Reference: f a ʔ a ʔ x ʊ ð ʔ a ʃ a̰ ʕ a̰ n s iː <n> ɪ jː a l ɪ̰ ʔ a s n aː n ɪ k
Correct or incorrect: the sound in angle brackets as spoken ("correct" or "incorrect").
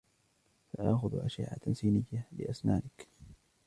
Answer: correct